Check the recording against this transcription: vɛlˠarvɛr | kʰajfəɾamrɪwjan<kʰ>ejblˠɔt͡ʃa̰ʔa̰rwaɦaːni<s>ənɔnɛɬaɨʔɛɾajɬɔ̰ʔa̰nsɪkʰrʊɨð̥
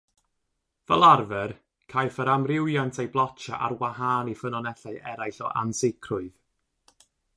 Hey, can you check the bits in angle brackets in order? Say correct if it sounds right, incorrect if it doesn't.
incorrect: tʰ, incorrect: f

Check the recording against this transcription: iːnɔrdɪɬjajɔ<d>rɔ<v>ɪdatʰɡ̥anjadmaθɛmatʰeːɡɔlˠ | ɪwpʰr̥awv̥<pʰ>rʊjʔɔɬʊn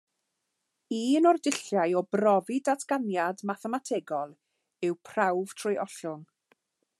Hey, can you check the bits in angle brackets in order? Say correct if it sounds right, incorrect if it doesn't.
incorrect: b, correct, incorrect: tʰ

